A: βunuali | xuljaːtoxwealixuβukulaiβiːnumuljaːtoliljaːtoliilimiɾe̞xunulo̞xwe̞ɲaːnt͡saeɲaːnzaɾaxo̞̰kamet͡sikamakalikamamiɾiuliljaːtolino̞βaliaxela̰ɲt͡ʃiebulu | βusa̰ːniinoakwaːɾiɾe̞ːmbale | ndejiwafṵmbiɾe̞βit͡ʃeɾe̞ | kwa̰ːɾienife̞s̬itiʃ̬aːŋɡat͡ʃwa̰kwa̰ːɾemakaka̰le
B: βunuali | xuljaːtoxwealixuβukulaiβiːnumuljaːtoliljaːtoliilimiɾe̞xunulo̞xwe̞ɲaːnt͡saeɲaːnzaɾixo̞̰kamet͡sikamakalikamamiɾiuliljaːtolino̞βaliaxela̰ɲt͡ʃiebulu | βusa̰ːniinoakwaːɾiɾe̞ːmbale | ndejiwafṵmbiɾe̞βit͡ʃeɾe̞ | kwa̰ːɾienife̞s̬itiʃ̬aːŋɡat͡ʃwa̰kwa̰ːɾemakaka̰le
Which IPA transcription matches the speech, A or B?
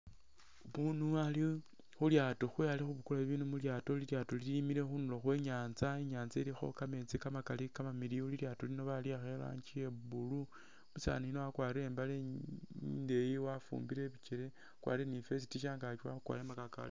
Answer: B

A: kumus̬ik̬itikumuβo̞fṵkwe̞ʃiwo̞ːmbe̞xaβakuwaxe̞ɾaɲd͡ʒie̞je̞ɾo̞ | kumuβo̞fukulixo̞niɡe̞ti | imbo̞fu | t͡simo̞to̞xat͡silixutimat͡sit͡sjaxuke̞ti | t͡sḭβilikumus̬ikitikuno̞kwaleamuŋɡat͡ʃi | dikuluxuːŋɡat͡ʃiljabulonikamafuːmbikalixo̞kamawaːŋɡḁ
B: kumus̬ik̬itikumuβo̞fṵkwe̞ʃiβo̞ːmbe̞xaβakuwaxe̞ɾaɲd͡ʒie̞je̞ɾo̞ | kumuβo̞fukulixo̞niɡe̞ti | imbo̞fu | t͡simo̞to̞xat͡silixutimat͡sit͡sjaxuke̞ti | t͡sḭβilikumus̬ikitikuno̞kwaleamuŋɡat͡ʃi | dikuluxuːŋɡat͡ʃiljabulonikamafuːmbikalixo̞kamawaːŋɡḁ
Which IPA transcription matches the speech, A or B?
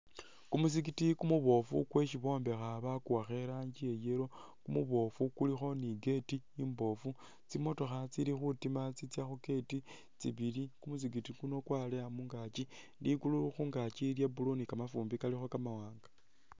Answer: B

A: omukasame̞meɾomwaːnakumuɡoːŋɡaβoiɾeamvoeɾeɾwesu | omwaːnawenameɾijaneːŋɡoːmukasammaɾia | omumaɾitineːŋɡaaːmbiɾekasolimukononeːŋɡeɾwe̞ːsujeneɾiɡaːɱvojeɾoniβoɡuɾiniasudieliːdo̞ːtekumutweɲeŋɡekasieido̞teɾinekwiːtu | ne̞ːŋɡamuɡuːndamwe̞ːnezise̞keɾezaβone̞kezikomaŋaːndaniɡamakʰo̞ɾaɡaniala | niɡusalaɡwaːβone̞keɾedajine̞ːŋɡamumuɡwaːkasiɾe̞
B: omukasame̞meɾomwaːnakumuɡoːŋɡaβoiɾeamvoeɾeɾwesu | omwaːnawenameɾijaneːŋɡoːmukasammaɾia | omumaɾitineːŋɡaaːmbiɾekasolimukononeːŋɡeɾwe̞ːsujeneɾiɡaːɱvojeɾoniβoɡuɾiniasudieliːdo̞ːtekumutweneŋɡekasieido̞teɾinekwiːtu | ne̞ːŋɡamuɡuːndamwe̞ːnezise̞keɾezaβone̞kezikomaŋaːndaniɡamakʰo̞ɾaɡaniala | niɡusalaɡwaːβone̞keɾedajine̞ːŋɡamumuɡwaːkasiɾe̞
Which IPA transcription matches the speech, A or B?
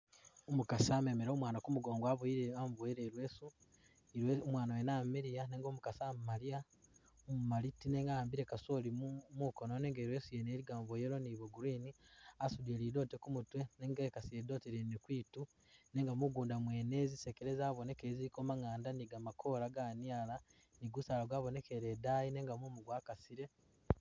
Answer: B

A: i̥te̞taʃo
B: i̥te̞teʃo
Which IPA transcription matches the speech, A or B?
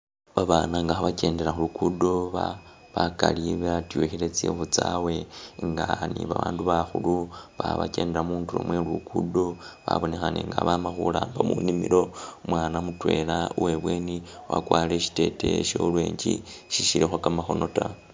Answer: B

